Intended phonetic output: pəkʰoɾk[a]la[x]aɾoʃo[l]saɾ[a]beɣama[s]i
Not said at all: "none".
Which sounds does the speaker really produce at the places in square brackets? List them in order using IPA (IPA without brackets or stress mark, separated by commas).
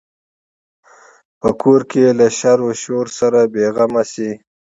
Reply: e, ʃ, ɾ, a, s